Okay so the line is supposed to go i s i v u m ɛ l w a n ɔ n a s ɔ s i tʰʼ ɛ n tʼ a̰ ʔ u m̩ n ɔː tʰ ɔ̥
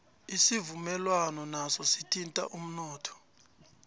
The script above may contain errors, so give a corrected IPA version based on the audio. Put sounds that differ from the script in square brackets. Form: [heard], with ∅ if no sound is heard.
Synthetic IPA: i s i v u m ɛ l w a n ɔ n a s ɔ s i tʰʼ [i] n tʼ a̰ ʔ u m̩ n ɔː tʰ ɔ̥

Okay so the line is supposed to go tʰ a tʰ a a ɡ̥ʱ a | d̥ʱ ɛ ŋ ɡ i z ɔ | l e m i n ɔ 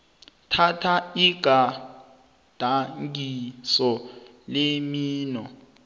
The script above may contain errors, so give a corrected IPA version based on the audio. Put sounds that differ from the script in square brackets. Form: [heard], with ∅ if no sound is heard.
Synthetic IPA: tʰ a tʰ a [i] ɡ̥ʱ a | d̥ʱ [a] ŋ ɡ i [s] ɔ | l e m [iː] n ɔ

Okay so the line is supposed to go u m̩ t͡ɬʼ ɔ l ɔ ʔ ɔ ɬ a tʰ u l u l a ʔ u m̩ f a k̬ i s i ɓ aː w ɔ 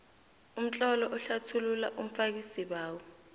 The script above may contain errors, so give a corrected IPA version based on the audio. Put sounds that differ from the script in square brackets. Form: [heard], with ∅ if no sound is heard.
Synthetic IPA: u m̩ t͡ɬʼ ɔ l ɔ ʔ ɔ ɬ a tʰ u l u l a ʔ u m̩ f a k̬ i s i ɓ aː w ɔ

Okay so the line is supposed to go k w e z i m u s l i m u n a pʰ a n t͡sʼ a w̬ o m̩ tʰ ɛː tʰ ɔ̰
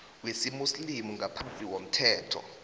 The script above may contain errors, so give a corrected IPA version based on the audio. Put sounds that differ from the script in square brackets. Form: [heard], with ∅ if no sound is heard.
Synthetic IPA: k w e [s] i m u s l i m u [ŋ] a pʰ a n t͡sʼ [i] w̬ o m̩ tʰ ɛː tʰ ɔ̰

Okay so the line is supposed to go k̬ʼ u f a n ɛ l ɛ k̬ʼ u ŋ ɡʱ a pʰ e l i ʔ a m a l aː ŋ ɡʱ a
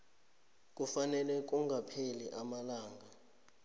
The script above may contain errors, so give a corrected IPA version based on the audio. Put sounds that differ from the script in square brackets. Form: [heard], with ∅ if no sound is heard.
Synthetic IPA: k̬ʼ u f a n ɛ l ɛ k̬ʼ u ŋ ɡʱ a pʰ e l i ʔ a m a l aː ŋ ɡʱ a

